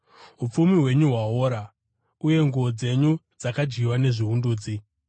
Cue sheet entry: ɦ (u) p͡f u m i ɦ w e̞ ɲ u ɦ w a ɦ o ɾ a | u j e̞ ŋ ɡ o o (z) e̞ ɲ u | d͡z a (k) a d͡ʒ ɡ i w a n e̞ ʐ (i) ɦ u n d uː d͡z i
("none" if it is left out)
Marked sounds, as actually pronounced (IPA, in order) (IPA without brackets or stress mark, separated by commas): u, d͡z, k, i